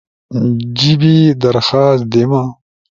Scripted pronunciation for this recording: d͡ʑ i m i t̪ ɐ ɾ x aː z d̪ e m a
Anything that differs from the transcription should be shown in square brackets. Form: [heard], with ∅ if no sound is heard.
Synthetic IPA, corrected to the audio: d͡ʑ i [b] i [d̪] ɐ ɾ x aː [s] d̪ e m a

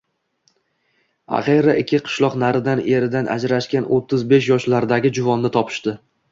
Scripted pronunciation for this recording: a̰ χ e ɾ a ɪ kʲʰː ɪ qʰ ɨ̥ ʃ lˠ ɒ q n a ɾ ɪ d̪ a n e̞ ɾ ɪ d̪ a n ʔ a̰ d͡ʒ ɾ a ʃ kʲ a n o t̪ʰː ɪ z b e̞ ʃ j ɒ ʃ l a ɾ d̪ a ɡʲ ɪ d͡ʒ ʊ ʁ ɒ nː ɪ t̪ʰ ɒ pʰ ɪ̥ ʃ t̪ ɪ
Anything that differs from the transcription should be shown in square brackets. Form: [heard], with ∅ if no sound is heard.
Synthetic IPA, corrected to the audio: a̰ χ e ɾ a ɪ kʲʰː ɪ qʰ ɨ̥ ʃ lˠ ɒ q n a ɾ ɪ d̪ a n e̞ ɾ ɪ d̪ a n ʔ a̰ d͡ʒ ɾ a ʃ kʲ a n o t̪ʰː ɪ z b e̞ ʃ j ɒ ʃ l a ɾ d̪ a ɡʲ ɪ d͡ʒ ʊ [v] ɒ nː ɪ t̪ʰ ɒ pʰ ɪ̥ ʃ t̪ ɪ

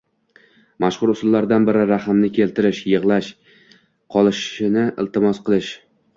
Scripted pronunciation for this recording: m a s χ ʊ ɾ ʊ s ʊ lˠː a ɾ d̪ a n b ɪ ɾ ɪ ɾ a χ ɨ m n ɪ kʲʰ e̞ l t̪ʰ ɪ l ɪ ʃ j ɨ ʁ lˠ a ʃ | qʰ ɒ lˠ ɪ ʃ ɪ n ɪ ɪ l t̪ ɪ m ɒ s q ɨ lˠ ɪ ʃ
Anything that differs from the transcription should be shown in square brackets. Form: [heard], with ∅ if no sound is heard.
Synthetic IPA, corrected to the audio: m a [ʃ] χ ʊ ɾ ʊ s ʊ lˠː a ɾ d̪ a n b ɪ ɾ ɪ ɾ a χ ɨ m n ɪ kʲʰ e̞ l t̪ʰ ɪ [ɾ] ɪ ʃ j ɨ ʁ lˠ a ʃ | qʰ ɒ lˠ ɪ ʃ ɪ n ɪ ɪ l t̪ ɪ m ɒ s q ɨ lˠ ɪ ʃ

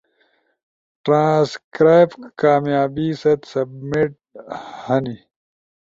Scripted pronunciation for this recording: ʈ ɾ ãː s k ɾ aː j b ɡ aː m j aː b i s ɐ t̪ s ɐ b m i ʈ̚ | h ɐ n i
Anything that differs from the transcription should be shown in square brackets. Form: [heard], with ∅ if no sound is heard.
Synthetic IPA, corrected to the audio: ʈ ɾ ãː s k ɾ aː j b [k] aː m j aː b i s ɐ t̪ s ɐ b m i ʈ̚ | h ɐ n i

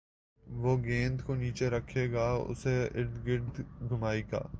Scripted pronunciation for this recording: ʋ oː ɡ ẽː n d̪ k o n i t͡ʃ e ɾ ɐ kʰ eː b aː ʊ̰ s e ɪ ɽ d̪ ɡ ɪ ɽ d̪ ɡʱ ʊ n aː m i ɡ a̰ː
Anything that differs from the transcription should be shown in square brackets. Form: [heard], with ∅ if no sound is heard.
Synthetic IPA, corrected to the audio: ʋ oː ɡ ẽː n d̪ k o n [iː] t͡ʃ e ɾ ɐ kʰ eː [ɡ] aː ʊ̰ s e ɪ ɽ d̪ ɡ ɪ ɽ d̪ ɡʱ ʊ [m] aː [∅] i ɡ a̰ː

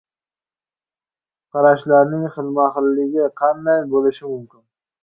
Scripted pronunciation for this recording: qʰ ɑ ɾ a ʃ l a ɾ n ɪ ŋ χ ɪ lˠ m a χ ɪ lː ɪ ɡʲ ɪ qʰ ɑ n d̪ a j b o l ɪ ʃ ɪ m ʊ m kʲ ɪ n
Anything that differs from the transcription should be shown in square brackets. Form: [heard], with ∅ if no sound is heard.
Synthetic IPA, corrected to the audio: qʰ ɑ ɾ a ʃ l a ɾ n ɪ ŋ χ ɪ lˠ m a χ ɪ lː ɪ ɡʲ ɪ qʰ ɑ n d̪ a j b o l ɪ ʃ ɪ m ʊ m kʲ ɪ n

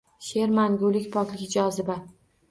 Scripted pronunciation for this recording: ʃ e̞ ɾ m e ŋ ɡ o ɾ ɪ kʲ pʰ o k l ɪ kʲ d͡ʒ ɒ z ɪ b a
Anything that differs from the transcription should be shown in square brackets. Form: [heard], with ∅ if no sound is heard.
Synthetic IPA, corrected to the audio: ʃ e̞ ɾ m [a] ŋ ɡ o [l] ɪ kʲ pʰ [ɒ] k l ɪ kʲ d͡ʒ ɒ z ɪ b a

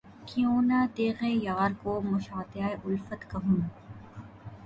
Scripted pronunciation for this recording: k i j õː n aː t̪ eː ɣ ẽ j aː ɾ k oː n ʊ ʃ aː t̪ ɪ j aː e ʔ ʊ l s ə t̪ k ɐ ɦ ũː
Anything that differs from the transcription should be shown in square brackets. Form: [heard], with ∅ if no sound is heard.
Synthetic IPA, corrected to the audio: k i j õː n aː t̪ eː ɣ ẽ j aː ɾ k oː [m] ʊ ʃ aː t̪ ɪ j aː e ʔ ʊ l [f] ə t̪ k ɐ ɦ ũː

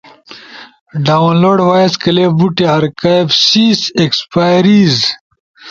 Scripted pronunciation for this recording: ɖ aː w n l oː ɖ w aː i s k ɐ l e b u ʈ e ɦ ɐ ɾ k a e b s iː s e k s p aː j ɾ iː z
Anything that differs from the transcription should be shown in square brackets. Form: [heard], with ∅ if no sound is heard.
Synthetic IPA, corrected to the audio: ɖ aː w n l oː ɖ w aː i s k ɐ l e b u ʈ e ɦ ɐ ɾ k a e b s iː s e k s p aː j ɾ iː z

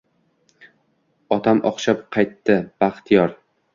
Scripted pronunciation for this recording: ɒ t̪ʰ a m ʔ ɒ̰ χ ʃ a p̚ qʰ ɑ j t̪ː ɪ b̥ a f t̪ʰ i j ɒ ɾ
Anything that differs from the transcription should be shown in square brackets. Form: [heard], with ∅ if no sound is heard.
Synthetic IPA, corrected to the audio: ɒ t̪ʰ a m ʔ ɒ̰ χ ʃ a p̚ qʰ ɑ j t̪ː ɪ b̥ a [χ] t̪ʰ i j ɒ ɾ

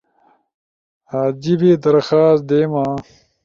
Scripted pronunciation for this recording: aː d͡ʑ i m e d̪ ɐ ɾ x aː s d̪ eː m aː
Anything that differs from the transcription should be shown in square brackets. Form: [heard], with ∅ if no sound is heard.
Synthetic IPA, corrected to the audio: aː d͡ʑ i [b] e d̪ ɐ ɾ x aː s d̪ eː m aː

